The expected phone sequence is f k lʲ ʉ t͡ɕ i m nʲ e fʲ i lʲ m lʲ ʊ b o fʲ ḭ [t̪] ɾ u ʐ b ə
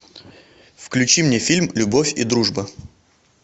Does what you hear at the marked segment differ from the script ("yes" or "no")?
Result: yes